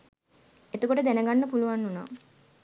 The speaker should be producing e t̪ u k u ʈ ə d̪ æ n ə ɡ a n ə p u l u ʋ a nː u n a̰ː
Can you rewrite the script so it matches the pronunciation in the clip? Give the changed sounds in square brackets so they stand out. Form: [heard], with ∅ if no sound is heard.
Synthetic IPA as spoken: e t̪ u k [o] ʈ ə d̪ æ n ə ɡ a [nː] ə p u l u ʋ a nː u n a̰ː